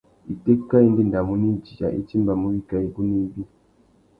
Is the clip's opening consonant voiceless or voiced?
voiceless